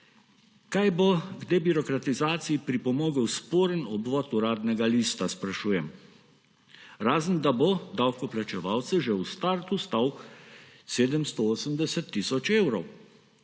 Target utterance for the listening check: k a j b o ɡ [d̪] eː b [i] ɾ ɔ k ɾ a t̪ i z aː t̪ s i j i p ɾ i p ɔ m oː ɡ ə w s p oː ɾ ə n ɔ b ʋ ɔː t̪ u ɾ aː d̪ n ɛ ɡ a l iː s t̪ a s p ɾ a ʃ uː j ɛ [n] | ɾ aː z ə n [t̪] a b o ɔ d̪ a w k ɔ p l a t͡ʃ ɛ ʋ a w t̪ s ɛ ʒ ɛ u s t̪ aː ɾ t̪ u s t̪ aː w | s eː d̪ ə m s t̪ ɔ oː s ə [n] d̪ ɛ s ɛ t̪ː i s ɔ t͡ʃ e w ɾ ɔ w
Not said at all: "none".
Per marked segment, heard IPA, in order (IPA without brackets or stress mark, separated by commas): d̪, i, m, d̪, m